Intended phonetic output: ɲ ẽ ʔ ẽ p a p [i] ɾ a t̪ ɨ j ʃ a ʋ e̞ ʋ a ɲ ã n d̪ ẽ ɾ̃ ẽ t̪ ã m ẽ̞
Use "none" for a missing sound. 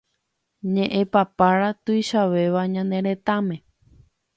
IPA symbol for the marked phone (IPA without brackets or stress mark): a